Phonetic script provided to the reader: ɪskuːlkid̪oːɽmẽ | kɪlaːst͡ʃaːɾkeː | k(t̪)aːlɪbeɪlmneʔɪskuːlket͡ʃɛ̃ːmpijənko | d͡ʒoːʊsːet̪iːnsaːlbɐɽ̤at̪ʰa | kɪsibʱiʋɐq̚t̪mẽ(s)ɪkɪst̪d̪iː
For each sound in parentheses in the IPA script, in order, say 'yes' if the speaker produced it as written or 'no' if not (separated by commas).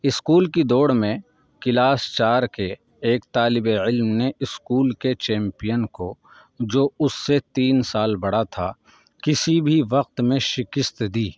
yes, no